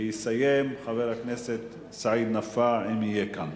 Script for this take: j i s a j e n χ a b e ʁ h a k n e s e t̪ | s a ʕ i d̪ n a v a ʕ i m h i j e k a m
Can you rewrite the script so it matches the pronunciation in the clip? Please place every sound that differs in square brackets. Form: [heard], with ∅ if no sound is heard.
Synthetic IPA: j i s a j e [m] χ a [v] e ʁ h a k n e s e t̪ | s a ʕ i d̪ n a [f] a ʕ i m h i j e k a [n]